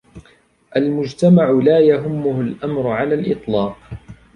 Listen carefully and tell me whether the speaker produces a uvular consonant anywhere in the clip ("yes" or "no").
yes